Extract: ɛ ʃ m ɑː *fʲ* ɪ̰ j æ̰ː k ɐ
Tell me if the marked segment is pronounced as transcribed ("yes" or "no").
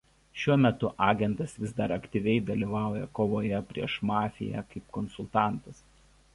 yes